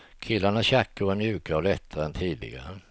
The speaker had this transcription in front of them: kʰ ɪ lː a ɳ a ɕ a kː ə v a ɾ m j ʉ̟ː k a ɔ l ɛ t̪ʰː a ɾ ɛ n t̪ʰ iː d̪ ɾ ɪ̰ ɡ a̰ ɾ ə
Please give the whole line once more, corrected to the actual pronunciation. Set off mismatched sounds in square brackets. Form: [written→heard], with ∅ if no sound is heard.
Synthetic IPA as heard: kʰ ɪ lː a ɳ a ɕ a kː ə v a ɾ m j ʉ̟ː k a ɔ l ɛ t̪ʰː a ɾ ɛ n t̪ʰ iː d̪ [ɾ→l] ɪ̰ ɡ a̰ ɾ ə

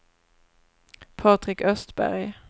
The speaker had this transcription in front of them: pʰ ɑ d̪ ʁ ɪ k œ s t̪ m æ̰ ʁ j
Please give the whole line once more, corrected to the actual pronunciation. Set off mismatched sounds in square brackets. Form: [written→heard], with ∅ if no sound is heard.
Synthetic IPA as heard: pʰ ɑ [d̪→t̪] ʁ ɪ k œ s t̪ [m→b] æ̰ ʁ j

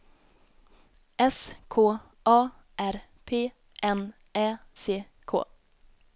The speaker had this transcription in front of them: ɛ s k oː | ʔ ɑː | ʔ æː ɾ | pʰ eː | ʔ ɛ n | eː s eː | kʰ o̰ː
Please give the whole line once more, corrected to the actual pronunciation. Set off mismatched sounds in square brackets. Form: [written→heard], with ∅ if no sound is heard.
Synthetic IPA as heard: ɛ s [k→kʰ] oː | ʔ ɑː | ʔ [æː→æ] ɾ | pʰ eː | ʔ ɛ n | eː s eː | kʰ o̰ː

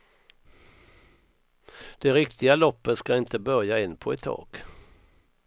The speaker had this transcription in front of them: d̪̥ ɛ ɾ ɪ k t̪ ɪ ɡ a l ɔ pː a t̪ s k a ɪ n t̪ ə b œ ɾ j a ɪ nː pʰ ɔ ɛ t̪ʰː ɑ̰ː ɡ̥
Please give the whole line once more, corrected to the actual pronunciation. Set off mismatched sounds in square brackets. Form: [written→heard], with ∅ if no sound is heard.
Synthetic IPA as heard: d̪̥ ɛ ɾ ɪ k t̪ ɪ ɡ a l ɔ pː [a→ə] t̪ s k a ɪ n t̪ ə b œ ɾ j a ɪ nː pʰ ɔ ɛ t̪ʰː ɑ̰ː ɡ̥

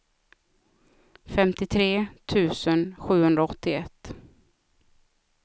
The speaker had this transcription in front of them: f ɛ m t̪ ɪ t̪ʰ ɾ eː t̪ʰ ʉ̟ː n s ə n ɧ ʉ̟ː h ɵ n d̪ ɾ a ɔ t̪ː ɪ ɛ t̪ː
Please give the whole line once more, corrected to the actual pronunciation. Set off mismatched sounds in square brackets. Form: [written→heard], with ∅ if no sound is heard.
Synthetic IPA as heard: f ɛ m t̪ ɪ t̪ʰ ɾ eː t̪ʰ ʉ̟ː [n→∅] s ə n ɧ ʉ̟ː h ɵ n d̪ ɾ a ɔ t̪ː ɪ ɛ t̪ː

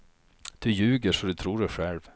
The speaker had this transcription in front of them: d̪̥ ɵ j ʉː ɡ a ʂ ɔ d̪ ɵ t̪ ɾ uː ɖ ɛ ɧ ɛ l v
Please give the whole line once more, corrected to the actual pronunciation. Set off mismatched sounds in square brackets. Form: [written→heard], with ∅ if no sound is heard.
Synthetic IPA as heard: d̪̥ ɵ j ʉː ɡ [a→ə] ʂ ɔ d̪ ɵ [t̪→t̪ʰ] ɾ uː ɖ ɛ ɧ ɛ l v

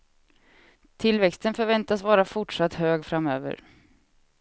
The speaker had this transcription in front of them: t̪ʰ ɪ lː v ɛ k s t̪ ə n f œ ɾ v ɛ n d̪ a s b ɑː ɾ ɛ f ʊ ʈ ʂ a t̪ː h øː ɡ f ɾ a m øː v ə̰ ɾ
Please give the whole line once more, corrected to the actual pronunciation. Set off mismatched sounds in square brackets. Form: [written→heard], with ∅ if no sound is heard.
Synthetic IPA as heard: t̪ʰ ɪ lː v ɛ k s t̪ ə n f œ ɾ v ɛ n [d̪→t̪] a s [b→v] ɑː ɾ [ɛ→a] f ʊ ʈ ʂ a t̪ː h øː ɡ f ɾ a m øː v ə̰ ɾ

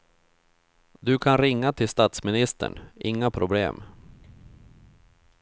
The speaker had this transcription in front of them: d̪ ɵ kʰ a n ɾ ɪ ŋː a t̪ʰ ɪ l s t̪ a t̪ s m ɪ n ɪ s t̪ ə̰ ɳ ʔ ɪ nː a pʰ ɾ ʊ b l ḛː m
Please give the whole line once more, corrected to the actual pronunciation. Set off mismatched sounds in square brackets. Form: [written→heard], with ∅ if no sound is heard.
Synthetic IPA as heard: d̪ ɵ kʰ a n ɾ ɪ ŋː a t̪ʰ ɪ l s t̪ a t̪ s m ɪ n ɪ s t̪ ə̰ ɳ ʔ ɪ [nː→ŋː] a pʰ ɾ ʊ b l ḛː m

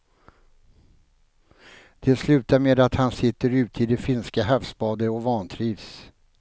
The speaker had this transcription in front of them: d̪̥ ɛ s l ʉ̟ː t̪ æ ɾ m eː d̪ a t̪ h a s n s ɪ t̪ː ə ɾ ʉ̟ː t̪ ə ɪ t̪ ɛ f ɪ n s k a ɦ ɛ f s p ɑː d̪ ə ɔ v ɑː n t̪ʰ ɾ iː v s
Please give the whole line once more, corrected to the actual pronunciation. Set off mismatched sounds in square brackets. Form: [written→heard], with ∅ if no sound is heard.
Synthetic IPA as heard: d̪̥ ɛ s l ʉ̟ː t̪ [æ→a] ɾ m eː d̪ a t̪ h a [s→∅] n s ɪ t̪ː ə ɾ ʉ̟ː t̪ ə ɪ [t̪→d̪] ɛ f ɪ n s k a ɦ [ɛ→a] f s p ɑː d̪ ə ɔ v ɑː n t̪ʰ ɾ iː v s

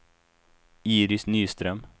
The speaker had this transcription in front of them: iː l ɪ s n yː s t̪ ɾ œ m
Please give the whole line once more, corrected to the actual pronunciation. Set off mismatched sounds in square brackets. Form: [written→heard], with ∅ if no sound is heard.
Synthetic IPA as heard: iː [l→ɾ] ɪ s n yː s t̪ ɾ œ m

